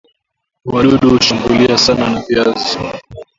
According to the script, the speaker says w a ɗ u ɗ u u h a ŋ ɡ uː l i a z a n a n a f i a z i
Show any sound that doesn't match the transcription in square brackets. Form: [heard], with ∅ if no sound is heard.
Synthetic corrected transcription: w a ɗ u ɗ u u [ʃ] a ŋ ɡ [u] l i a [s] a n a n a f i a z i

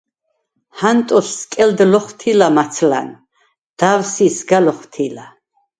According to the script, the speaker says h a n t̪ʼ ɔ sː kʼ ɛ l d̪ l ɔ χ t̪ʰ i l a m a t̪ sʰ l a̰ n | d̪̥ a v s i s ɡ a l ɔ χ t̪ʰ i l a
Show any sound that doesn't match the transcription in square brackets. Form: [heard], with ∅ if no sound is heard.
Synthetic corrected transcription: h a n t̪ʼ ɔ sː kʼ ɛ l d̪ l ɔ χ t̪ʰ i l a m a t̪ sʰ l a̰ n | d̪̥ a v s i s ɡ a l ɔ χ t̪ʰ i l a

